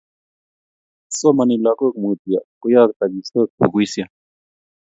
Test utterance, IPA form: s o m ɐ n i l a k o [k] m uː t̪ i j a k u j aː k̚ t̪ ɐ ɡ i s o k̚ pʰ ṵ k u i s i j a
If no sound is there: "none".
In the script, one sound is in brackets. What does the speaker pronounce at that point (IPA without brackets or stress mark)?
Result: k